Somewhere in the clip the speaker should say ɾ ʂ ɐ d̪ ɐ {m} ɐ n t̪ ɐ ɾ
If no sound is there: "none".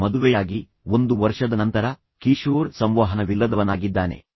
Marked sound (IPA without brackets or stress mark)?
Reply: n